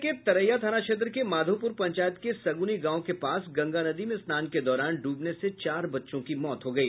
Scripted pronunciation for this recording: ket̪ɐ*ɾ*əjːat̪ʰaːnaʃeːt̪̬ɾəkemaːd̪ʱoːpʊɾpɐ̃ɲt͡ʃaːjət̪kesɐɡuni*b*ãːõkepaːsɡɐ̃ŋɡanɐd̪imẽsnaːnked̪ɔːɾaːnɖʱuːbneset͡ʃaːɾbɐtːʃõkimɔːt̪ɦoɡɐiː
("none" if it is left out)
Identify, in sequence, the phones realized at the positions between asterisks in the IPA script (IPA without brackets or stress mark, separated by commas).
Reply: ɾ, ɡ